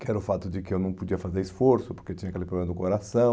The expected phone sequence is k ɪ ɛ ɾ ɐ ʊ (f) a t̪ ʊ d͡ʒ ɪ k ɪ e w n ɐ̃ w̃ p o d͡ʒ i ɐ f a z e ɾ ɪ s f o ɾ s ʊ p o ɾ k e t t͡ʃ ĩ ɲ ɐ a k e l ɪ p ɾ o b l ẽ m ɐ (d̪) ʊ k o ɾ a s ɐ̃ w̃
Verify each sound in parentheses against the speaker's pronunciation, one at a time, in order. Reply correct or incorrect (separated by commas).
correct, correct